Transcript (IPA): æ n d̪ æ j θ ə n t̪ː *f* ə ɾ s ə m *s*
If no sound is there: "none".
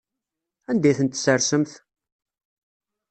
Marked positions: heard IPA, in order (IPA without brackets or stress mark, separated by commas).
s, θ